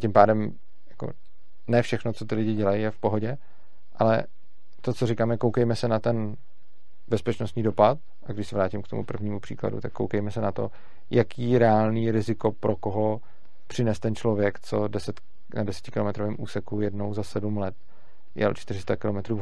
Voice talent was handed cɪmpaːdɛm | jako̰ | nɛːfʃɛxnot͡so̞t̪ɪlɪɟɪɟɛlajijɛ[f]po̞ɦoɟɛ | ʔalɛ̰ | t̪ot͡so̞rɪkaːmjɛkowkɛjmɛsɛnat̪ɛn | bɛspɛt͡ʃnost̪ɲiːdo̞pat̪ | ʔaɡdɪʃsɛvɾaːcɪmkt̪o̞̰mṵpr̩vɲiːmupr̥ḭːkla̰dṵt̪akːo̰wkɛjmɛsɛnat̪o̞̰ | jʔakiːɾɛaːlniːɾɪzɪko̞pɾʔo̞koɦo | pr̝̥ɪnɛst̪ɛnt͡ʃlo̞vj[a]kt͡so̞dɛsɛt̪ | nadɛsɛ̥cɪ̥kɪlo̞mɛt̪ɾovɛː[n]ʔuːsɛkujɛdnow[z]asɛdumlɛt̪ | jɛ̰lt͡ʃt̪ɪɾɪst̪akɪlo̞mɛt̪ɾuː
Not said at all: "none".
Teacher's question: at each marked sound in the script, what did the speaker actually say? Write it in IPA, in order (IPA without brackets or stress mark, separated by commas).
f, ɛ, m, z